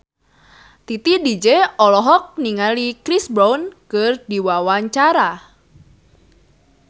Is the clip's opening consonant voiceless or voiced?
voiceless